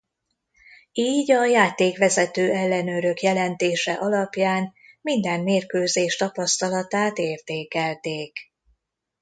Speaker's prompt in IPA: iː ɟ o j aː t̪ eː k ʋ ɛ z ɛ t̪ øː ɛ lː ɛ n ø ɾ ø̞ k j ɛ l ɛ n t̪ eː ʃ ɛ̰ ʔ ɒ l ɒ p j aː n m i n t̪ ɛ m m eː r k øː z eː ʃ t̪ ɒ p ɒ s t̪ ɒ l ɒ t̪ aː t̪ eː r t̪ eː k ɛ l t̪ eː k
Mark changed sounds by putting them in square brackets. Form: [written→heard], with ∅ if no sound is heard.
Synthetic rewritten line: iː ɟ [o→ɒ] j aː t̪ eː k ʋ ɛ z ɛ t̪ øː ɛ lː ɛ n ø ɾ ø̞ k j ɛ l ɛ n t̪ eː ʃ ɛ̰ ʔ ɒ l ɒ p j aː n m i n [t̪→d̪] ɛ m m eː r k øː z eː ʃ t̪ ɒ p ɒ s t̪ ɒ l ɒ t̪ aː t̪ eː r t̪ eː k ɛ l t̪ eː k

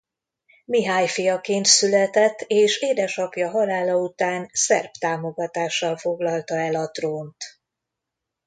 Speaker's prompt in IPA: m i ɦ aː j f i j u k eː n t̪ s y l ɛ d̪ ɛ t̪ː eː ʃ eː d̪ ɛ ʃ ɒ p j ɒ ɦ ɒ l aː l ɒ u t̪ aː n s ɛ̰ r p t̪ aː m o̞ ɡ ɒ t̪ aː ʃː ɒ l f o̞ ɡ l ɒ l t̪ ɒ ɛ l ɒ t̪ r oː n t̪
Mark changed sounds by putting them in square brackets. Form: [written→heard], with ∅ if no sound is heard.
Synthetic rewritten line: m i ɦ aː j f i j [u→ɒ] k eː n t̪ s y l ɛ [d̪→t̪] ɛ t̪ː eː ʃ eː d̪ ɛ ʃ ɒ p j ɒ ɦ ɒ l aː l ɒ u t̪ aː n s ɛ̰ r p t̪ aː m o̞ ɡ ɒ t̪ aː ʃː ɒ l f o̞ ɡ l ɒ l t̪ ɒ ɛ l ɒ t̪ r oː n t̪

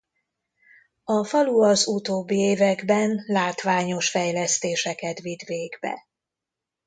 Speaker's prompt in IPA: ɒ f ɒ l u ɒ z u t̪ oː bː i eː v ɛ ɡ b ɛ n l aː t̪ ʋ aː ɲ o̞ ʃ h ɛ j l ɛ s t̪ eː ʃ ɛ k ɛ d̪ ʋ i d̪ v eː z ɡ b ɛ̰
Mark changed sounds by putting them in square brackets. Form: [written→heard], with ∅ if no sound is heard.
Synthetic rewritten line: ɒ f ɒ l u ɒ z u t̪ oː bː i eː v ɛ ɡ b ɛ n l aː t̪ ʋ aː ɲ o̞ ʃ [h→f] ɛ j l ɛ s t̪ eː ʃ ɛ k ɛ [d̪→t̪] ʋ i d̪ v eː [z→∅] ɡ b ɛ̰

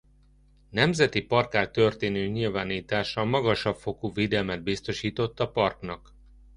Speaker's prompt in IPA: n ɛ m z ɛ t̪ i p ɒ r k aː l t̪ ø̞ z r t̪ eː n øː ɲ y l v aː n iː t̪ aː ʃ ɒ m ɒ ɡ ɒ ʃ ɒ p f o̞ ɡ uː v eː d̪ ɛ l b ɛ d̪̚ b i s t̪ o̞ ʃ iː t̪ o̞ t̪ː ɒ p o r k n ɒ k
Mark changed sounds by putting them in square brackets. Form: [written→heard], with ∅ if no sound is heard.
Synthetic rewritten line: n ɛ m z ɛ t̪ i p ɒ r k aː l t̪ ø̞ [z→∅] r t̪ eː n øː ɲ [y→i] l v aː n iː t̪ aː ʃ ɒ m ɒ ɡ ɒ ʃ ɒ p f o̞ [ɡ→k] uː v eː d̪ ɛ l [b→m] ɛ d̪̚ b i s t̪ o̞ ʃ iː t̪ o̞ t̪ː ɒ p [o→ɒ] r k n ɒ k

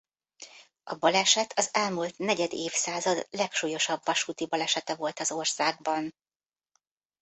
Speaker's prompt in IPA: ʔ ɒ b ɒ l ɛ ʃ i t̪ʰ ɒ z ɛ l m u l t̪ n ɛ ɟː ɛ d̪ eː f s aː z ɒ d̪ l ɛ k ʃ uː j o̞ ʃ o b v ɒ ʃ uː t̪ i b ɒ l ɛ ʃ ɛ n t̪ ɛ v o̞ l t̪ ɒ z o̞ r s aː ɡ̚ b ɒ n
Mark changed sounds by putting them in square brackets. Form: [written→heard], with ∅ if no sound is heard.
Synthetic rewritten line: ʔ ɒ b ɒ l ɛ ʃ [i→ɛ] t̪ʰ ɒ z ɛ l m u l t̪ n ɛ [ɟː→ɟ] ɛ d̪ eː f s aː z ɒ d̪ l ɛ k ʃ uː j o̞ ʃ [o→ɒ] b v ɒ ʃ uː t̪ i b ɒ l ɛ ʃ ɛ [n→∅] t̪ ɛ v o̞ l t̪ ɒ z o̞ r s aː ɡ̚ b ɒ n

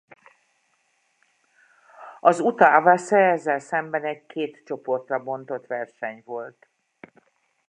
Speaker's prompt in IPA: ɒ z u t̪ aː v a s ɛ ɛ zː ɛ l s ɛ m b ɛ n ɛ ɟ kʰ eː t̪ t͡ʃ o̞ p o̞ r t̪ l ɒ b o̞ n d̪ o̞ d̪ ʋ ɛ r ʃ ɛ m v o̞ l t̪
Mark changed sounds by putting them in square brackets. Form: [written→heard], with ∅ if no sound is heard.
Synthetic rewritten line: ɒ z u t̪ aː v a s ɛ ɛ zː ɛ l s ɛ m b ɛ n ɛ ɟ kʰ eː t̪ t͡ʃ o̞ p o̞ r t̪ [l→r] ɒ b o̞ n [d̪→t̪] o̞ [d̪→t̪] ʋ ɛ r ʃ ɛ [m→ɲ] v o̞ l t̪

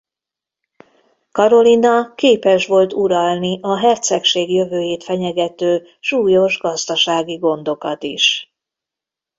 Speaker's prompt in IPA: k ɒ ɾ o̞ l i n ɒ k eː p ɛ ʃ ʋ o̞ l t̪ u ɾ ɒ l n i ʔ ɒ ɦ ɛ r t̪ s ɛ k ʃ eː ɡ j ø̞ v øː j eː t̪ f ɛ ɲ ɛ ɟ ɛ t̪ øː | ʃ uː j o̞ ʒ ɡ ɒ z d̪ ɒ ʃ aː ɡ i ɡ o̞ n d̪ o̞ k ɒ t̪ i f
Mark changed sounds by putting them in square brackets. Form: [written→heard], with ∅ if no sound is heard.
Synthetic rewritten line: k ɒ ɾ o̞ l i n ɒ k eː p ɛ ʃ ʋ o̞ l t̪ u ɾ ɒ l n i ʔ ɒ ɦ ɛ r t̪ s ɛ k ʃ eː ɡ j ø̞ v øː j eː t̪ f ɛ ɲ ɛ [ɟ→ɡ] ɛ t̪ øː | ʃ uː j o̞ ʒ ɡ ɒ z d̪ ɒ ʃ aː ɡ i ɡ o̞ n d̪ o̞ k ɒ t̪ i [f→ʃ]

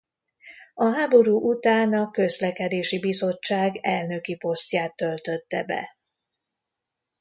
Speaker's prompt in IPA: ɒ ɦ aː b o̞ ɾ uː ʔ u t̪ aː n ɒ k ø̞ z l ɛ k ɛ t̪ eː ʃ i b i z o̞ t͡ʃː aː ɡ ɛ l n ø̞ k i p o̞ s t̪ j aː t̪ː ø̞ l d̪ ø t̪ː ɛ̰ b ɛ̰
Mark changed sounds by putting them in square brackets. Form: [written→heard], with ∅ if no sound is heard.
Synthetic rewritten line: ɒ ɦ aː b o̞ ɾ uː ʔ u t̪ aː n ɒ k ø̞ z l ɛ k ɛ [t̪→d̪] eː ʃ i b i z o̞ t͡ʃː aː ɡ ɛ l n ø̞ k i p o̞ s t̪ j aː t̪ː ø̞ l [d̪→t̪] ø t̪ː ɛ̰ b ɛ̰

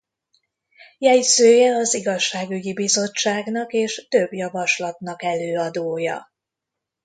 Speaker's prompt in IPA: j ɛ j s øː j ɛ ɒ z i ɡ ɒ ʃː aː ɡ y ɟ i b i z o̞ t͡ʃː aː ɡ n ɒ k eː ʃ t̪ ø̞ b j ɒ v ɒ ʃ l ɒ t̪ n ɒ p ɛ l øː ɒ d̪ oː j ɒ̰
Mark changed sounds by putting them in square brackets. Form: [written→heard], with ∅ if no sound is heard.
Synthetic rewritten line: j ɛ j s øː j ɛ ɒ z i ɡ ɒ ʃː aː ɡ y ɟ i b i z o̞ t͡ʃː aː ɡ n ɒ k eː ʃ t̪ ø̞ b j ɒ v ɒ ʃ l ɒ t̪ n ɒ [p→k] ɛ l øː ɒ d̪ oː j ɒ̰

